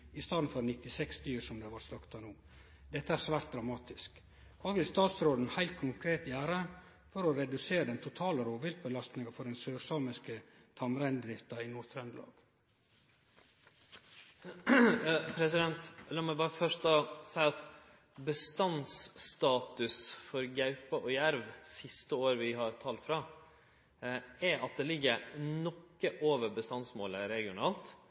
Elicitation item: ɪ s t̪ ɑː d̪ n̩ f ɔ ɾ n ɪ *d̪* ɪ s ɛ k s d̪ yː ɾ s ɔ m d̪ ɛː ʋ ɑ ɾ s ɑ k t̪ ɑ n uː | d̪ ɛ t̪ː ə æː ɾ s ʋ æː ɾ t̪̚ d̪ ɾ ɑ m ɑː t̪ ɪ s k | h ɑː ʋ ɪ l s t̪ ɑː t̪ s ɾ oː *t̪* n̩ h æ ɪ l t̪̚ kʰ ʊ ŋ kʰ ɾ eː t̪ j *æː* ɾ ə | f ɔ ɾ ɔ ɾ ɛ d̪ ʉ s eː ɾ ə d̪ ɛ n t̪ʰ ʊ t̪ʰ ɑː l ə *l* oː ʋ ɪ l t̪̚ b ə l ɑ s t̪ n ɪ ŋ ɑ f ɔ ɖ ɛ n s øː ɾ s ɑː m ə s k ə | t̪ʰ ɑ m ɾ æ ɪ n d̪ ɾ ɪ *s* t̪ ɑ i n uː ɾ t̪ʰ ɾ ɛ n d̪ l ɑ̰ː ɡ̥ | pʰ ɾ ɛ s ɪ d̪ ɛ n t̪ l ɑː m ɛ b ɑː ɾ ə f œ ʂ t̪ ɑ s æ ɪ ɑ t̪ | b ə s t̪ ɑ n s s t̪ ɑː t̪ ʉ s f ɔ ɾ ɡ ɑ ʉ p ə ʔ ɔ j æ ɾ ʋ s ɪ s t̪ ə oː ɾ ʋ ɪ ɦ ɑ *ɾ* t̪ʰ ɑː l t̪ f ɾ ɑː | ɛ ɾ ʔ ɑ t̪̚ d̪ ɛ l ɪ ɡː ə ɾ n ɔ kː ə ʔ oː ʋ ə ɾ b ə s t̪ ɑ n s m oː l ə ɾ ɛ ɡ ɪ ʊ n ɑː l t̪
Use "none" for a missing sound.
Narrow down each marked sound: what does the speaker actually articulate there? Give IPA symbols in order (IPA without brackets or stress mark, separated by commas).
t̪, d̪, æː, ɾ, f, ɾ